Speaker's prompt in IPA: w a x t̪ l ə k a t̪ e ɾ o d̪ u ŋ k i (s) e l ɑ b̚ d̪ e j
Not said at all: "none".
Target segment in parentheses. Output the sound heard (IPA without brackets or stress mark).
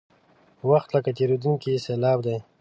s